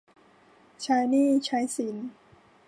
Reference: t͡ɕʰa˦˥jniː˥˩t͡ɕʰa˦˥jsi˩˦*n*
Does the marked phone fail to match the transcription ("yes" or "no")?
no